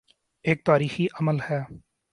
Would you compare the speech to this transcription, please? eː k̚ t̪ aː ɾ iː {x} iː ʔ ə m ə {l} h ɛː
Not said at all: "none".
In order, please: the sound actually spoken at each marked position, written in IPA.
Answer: x, l

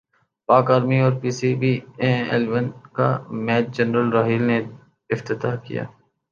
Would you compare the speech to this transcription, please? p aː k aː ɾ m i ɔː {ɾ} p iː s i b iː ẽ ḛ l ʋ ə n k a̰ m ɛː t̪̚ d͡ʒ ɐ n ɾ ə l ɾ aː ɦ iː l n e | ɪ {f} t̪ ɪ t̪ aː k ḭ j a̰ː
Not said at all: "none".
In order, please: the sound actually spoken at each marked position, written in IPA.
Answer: ɾ, f

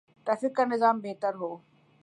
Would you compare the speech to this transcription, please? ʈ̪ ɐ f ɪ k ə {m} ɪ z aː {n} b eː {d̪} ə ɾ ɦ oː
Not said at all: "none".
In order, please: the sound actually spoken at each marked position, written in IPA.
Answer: n, m, t̪

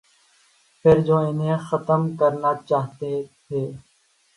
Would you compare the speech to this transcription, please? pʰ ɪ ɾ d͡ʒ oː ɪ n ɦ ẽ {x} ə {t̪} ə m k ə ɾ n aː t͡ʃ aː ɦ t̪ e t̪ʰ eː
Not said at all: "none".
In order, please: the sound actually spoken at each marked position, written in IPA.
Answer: x, t̪

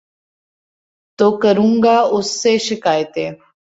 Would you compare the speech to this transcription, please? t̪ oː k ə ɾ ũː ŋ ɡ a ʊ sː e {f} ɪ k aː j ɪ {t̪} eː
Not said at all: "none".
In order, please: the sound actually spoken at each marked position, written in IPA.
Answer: ʃ, t̪

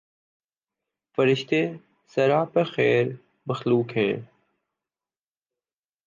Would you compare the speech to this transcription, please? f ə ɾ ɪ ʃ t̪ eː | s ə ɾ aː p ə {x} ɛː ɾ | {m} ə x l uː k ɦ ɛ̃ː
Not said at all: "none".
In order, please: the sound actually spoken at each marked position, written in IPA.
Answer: x, m

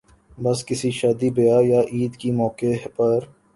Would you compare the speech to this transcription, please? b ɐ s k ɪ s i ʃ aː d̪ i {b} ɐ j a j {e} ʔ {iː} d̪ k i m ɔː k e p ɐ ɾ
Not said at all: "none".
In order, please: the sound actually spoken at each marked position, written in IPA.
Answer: b, a, iː

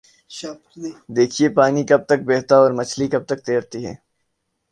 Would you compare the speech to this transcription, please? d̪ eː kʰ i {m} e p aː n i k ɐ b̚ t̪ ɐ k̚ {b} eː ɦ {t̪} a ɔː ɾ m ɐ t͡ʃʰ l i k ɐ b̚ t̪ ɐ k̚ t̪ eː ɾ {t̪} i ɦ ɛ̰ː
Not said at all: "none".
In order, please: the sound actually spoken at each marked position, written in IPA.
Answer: none, b, t̪, t̪

